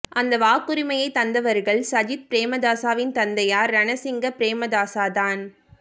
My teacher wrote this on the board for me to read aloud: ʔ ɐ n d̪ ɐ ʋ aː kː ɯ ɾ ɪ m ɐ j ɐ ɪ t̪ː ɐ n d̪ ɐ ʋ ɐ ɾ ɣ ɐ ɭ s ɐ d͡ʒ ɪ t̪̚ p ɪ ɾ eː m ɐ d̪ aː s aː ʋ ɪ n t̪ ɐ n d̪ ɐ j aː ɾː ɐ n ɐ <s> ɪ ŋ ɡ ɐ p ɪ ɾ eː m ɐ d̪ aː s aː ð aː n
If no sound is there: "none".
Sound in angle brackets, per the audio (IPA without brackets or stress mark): s